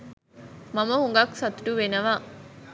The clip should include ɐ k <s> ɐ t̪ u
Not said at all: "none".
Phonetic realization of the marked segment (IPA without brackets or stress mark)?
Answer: s